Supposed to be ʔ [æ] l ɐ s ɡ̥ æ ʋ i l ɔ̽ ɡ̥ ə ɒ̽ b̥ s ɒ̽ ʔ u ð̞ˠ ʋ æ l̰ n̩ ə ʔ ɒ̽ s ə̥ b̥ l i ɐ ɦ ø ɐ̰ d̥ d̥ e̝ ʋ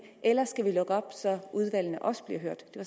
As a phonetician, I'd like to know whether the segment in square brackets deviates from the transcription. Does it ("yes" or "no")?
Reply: yes